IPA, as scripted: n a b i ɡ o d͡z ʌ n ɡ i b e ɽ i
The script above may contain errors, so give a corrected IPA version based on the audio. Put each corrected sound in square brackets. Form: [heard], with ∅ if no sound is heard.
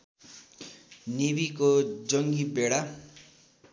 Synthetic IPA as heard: n [i] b i [k] o d͡z ʌ [ŋ] ɡ i b e ɽ [a]